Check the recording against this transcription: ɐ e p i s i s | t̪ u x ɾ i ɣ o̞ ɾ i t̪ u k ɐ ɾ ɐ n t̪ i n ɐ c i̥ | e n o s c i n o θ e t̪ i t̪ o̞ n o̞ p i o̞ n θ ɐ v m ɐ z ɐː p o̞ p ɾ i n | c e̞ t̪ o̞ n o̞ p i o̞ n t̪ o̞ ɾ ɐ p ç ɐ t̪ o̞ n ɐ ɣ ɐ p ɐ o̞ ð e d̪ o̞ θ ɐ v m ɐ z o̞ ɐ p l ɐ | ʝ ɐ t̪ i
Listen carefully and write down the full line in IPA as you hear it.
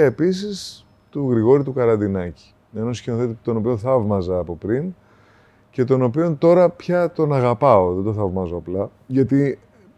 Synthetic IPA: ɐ e p i s i s | t̪ u ɣ ɾ i ɣ o̞ ɾ i t̪ u k ɐ ɾ ɐ n d̪ i n ɐ c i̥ | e n o s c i n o θ e t̪ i t̪ o̞ n o̞ p i o̞ n θ ɐ v m ɐ z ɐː p o̞ p ɾ i n | c e̞ t̪ o̞ n o̞ p i o̞ n t̪ o̞ ɾ ɐ p ç ɐ t̪ o̞ n ɐ ɣ ɐ p ɐ o̞ ð e d̪ o̞ θ ɐ v m ɐ z o̞ ɐ p l ɐ | ʝ ɐ t̪ i